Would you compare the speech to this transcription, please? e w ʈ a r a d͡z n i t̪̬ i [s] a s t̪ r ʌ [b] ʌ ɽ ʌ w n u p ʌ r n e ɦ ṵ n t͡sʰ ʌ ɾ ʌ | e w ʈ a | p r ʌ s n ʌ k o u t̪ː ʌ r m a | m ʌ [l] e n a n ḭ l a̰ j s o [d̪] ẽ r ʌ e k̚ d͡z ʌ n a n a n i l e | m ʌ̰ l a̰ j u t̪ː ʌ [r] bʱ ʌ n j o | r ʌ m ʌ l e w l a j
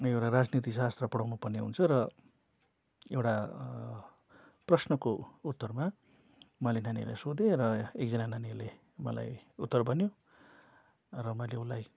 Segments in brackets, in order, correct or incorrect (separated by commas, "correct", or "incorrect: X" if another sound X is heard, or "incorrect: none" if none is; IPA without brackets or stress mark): correct, incorrect: p, correct, correct, correct